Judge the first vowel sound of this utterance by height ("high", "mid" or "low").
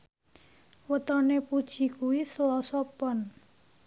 mid